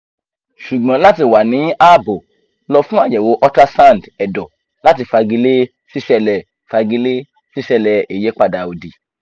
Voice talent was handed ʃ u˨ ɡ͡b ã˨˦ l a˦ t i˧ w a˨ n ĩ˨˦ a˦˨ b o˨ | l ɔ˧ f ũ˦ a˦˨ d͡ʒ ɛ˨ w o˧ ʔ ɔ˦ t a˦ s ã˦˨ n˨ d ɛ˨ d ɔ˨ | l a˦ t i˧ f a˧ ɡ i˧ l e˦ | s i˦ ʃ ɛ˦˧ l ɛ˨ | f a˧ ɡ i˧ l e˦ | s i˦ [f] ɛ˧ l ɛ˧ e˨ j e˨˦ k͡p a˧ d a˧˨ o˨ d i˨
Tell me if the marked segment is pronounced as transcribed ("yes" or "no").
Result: no